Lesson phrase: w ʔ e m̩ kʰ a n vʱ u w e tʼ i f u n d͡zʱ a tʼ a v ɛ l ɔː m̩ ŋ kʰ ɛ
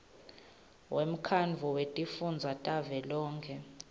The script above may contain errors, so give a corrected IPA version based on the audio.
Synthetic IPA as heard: w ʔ e m̩ kʰ a n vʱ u w e tʼ i f u n d͡zʱ a tʼ a v ɛ l ɔː ŋ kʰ ɛ